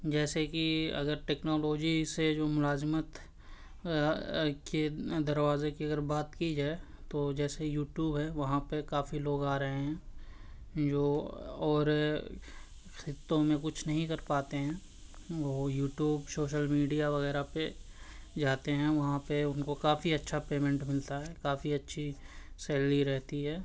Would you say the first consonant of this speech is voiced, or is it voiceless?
voiced